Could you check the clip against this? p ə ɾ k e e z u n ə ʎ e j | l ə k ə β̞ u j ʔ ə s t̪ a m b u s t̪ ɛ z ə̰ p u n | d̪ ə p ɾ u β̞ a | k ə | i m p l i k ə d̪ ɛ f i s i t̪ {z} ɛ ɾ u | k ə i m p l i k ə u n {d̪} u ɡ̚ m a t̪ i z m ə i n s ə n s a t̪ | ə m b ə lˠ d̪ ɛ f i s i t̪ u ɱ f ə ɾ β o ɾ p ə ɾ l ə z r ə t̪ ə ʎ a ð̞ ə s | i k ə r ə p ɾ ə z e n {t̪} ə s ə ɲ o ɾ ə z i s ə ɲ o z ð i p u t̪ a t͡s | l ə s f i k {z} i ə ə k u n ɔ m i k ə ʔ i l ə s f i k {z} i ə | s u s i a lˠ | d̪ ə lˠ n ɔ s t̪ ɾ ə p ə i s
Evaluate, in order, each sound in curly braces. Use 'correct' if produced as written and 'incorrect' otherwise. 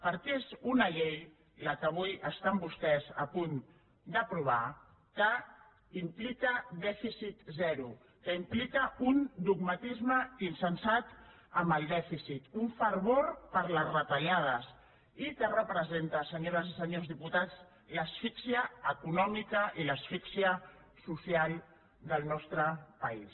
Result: correct, correct, correct, incorrect, incorrect

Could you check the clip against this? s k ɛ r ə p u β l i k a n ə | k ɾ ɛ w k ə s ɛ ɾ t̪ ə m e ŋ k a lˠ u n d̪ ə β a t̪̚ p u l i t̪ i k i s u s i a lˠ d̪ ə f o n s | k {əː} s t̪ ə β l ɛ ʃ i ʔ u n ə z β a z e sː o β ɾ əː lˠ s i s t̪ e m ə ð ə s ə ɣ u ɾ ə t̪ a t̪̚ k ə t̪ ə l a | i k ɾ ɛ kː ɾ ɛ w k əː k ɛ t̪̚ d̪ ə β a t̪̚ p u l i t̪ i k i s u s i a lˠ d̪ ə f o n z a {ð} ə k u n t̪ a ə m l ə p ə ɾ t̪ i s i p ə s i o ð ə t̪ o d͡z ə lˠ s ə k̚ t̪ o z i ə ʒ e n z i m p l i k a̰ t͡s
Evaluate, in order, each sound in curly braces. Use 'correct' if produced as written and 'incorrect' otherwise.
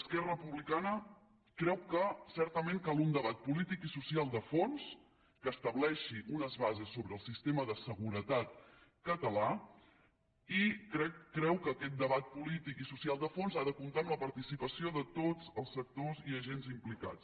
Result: correct, correct

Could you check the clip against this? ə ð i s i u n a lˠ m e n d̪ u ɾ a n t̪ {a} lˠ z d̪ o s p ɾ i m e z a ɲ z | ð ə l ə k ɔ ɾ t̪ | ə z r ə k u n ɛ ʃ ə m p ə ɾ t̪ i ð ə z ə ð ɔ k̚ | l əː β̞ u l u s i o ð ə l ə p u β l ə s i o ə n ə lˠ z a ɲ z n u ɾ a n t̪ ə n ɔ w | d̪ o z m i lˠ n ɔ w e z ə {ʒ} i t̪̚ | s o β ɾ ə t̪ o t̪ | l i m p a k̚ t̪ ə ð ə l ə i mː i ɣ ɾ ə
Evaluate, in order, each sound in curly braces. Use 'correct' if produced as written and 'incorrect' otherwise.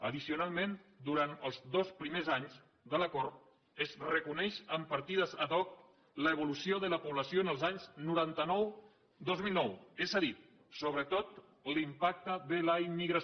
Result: incorrect, incorrect

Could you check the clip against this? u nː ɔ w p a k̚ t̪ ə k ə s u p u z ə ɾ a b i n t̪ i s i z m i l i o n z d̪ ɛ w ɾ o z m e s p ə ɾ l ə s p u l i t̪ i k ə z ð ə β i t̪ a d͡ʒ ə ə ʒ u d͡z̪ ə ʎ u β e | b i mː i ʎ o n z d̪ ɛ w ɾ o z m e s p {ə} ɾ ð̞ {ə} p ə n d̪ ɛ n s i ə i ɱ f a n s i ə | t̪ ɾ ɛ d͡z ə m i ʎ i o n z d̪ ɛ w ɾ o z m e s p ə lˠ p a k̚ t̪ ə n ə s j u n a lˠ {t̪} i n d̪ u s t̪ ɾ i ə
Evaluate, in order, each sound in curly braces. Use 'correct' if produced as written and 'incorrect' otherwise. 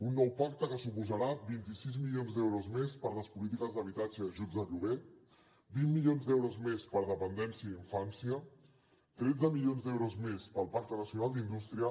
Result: correct, correct, incorrect

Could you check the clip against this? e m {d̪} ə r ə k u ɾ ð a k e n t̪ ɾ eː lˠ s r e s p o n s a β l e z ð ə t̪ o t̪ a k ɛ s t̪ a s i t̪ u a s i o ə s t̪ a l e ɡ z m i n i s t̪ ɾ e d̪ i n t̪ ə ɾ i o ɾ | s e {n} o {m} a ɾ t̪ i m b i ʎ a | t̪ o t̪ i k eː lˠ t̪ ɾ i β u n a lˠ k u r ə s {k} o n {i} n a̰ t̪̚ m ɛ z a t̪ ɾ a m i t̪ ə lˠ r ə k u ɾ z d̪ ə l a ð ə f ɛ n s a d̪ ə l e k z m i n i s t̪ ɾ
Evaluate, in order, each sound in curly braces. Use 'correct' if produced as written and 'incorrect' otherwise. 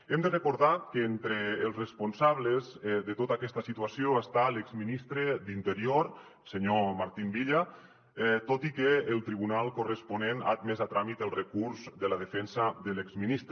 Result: correct, incorrect, correct, incorrect, incorrect

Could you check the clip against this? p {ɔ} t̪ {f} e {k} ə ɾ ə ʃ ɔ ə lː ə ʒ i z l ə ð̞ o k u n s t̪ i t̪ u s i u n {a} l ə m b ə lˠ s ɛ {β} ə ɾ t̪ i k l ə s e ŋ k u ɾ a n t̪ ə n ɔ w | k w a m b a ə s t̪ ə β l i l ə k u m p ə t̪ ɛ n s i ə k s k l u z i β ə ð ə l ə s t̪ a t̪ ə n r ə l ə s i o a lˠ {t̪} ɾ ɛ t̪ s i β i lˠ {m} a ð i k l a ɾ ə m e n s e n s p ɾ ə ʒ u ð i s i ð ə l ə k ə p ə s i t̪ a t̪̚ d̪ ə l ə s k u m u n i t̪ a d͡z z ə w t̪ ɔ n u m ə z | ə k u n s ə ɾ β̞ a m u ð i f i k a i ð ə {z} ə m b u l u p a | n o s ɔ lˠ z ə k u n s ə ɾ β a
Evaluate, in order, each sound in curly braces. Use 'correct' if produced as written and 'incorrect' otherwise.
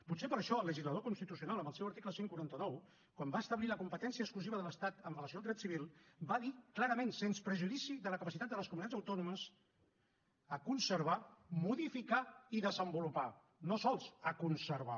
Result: incorrect, incorrect, incorrect, correct, incorrect, incorrect, incorrect, correct

